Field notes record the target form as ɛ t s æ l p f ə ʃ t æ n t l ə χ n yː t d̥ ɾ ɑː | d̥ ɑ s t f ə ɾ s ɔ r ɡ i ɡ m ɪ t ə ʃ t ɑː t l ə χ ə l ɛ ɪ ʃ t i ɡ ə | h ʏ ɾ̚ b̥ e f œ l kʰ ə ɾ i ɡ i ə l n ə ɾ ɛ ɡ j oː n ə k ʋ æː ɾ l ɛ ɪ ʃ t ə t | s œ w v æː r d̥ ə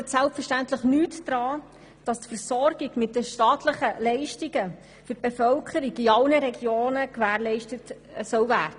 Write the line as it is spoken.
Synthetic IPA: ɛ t s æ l p f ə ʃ t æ n t l ə χ n yː t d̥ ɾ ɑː | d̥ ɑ s t f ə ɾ s ɔ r ɡ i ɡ m ɪ t ə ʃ t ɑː t l ə χ ə l ɛ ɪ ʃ t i ɡ ə | f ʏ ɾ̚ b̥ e f œ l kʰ ə ɾ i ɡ i ɑ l n ə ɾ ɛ ɡ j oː n ə k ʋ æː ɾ l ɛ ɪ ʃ t ə t | s œ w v æː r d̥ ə